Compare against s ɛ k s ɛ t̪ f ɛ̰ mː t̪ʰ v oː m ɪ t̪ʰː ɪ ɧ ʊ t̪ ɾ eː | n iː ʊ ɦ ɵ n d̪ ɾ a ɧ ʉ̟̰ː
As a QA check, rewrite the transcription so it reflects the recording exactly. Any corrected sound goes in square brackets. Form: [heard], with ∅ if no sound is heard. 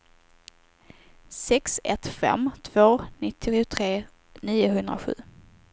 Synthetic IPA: s ɛ k s ɛ t̪ f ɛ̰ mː t̪ʰ v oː [n] ɪ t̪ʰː ɪ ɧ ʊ [t̪ʰ] ɾ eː | n iː ʊ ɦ ɵ n d̪ ɾ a ɧ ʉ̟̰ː